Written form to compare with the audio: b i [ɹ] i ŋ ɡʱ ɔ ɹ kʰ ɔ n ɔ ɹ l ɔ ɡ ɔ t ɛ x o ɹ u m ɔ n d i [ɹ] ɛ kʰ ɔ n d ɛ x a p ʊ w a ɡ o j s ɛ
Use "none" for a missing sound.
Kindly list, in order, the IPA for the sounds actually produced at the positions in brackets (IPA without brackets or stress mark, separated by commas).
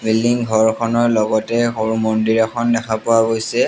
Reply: l, ɹ